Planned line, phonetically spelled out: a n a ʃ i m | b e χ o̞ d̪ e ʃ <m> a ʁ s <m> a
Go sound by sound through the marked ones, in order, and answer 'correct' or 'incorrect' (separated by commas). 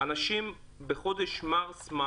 correct, correct